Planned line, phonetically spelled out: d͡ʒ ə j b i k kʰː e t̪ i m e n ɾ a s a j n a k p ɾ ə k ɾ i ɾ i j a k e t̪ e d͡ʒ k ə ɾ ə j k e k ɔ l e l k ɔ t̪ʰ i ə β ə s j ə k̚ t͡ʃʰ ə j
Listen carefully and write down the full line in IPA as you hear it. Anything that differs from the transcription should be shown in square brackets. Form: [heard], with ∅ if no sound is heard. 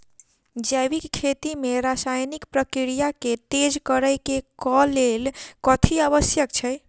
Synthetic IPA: d͡ʒ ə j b i k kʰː e t̪ i m e [∅] ɾ a s a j n [i] k p ɾ ə k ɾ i ɾ i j a k e t̪ e d͡ʒ k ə ɾ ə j k e k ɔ l e l k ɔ t̪ʰ i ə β ə s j ə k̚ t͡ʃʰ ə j

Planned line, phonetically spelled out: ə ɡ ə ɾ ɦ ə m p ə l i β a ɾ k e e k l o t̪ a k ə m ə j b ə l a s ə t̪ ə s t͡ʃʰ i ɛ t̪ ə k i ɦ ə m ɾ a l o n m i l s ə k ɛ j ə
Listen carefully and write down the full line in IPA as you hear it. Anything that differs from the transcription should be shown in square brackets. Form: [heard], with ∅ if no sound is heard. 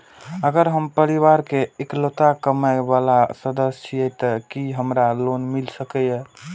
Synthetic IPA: ə ɡ ə ɾ ɦ ə m p ə [ɾ] i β a ɾ k e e k l o t̪ a k ə m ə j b [a] l a s ə [d̪] ə s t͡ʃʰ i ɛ t̪ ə k i ɦ ə m ɾ a l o n m i l s ə k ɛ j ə

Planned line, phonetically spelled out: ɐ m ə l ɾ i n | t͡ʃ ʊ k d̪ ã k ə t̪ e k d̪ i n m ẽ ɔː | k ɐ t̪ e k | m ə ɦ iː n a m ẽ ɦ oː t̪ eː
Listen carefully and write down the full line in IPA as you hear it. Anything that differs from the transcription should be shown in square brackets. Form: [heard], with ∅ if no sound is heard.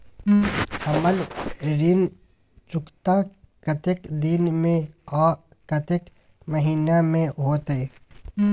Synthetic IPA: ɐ m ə l ɾ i n | t͡ʃ ʊ k [t̪] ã k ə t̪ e k d̪ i n m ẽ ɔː | k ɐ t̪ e k | m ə ɦ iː n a m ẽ ɦ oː t̪ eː

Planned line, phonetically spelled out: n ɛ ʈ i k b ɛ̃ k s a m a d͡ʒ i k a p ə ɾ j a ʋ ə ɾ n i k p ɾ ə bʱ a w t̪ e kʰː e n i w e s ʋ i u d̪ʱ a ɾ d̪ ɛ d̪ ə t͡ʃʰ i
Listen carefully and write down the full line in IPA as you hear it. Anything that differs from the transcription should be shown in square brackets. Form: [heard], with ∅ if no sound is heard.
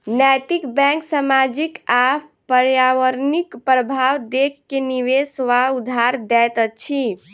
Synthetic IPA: n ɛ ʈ i k b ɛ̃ k s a m a d͡ʒ i k a p ə ɾ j a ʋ ə ɾ n i k p ɾ ə bʱ a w [d̪] e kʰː e n i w e s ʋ [a] u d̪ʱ a ɾ d̪ ɛ [t̪] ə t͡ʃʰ i

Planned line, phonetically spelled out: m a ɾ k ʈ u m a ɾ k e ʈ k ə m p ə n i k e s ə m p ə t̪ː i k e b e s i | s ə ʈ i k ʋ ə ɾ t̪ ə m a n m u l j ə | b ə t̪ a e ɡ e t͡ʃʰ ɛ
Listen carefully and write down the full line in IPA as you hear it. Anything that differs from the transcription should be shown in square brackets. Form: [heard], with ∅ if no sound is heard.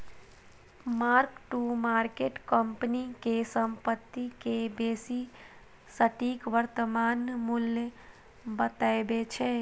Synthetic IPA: m a ɾ k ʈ u m a ɾ k e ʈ k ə m p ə n i k e s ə m p ə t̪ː i k e b e s i | s ə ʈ i k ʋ ə ɾ t̪ ə m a n m u l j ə | b ə t̪ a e [b] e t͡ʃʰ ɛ

